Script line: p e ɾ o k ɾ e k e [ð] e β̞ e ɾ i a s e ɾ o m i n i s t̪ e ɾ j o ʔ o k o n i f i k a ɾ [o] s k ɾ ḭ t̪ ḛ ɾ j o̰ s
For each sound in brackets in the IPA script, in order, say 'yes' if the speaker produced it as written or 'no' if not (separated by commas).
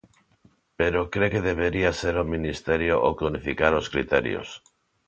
yes, yes